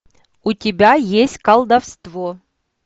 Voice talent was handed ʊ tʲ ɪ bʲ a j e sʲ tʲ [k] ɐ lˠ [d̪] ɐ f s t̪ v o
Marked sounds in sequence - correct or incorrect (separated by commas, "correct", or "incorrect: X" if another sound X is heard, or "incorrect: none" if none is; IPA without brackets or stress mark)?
correct, correct